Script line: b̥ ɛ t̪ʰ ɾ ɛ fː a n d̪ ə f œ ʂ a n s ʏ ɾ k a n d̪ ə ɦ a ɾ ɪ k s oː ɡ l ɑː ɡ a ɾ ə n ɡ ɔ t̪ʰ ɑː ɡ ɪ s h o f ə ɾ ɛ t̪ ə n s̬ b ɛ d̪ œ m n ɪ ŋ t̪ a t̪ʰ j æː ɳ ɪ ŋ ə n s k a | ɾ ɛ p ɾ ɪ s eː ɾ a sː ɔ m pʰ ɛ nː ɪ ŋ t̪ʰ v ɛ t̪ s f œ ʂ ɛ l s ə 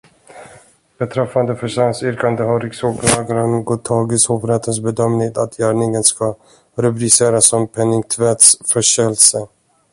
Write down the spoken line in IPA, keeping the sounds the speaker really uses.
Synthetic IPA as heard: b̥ ɛ t̪ʰ ɾ ɛ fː a n d̪ ə f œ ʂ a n s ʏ ɾ k a n d̪ ə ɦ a ɾ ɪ k s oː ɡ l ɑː ɡ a ɾ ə n ɡ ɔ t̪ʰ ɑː ɡ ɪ s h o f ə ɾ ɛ t̪ ə n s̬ b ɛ d̪ œ m n ɪ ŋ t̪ a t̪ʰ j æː ɳ ɪ ŋ ə n s k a | ɾ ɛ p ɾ ɪ s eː ɾ a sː ɔ m pʰ ɛ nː ɪ ŋ t̪ʰ v ɛ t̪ s f œ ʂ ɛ l s ə